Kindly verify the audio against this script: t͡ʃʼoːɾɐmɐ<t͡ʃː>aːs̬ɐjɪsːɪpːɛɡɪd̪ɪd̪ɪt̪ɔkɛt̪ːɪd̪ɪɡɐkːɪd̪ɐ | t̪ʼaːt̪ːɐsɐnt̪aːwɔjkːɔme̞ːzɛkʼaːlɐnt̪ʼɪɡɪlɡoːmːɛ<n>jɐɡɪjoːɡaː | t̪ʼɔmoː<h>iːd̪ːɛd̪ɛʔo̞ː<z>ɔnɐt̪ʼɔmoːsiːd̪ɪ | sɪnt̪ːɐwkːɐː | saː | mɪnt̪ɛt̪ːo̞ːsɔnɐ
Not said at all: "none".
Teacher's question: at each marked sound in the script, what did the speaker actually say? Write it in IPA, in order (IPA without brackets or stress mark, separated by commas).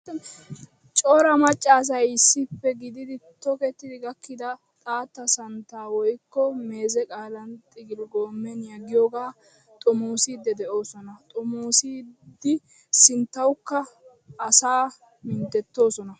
t͡ʃʼː, n, s, s